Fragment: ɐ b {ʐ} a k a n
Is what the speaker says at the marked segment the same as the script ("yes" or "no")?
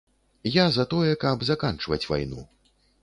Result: no